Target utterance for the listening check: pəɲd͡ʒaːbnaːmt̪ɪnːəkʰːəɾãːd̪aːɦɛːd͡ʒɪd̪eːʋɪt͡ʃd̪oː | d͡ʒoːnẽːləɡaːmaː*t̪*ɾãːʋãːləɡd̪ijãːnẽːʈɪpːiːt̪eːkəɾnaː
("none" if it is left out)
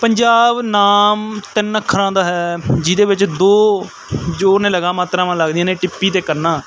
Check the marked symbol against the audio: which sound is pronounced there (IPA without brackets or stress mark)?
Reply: t̪